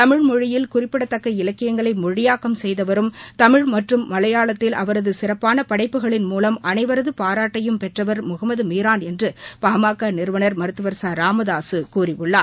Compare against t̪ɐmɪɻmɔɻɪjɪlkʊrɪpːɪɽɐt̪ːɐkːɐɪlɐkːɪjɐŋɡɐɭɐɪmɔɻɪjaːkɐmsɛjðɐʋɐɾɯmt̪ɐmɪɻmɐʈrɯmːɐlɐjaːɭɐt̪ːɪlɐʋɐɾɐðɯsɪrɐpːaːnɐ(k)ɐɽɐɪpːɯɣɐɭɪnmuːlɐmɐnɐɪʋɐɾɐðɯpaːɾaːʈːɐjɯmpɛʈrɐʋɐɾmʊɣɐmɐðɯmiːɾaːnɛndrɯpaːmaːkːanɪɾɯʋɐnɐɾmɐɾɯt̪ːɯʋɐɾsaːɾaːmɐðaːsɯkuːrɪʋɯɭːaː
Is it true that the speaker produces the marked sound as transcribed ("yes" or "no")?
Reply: no